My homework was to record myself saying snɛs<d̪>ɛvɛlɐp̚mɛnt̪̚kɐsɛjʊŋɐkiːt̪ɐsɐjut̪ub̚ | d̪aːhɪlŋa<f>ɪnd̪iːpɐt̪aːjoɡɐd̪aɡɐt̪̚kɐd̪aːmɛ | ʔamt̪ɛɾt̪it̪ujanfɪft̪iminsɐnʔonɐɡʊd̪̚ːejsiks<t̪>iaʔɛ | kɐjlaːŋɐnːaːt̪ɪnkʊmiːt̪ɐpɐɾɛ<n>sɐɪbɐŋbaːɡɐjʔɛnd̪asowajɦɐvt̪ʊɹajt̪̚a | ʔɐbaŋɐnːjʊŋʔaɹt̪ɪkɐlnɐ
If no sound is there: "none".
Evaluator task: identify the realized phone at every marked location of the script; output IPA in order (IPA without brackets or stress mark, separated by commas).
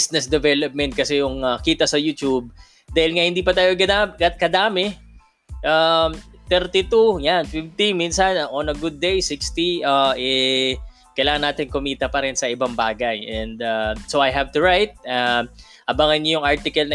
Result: d̪, h, t̪, n